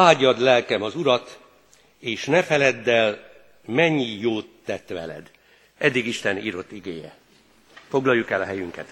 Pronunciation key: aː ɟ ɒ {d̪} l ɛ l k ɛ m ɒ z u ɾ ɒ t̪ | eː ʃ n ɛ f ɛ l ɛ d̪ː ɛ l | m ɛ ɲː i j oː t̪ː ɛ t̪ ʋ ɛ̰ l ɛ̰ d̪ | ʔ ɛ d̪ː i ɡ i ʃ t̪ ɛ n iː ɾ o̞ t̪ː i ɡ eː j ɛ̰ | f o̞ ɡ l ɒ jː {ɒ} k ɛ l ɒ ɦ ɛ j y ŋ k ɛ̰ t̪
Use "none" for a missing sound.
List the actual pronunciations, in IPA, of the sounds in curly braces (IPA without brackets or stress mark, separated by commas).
d̪, u